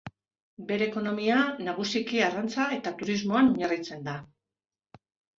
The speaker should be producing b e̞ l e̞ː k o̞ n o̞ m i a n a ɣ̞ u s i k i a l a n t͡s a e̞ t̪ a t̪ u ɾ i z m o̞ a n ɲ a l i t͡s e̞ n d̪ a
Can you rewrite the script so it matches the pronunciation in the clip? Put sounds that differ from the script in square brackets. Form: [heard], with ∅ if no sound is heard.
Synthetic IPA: b e̞ [ɾ] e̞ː k o̞ n o̞ m i a n a ɣ̞ u s i k i a [r] a n t͡s a e̞ t̪ a t̪ u ɾ i z m o̞ a n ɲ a [r] i t͡s e̞ n d̪ a